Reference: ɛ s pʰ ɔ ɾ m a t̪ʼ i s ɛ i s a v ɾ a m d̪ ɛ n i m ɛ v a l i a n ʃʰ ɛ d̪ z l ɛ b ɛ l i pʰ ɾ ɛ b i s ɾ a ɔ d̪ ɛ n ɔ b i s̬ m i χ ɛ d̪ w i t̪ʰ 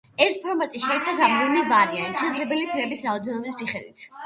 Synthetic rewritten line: ɛ s pʰ ɔ ɾ m a t̪ʼ i ʃ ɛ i s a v ɾ a m d̪ ɛ n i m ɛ v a ɾ i a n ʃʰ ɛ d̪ z l ɛ b ɛ l i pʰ ɾ ɛ b i s ɾ a ɔ d̪ ɛ n ɔ b i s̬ m i χ ɛ d̪ w i t̪ʰ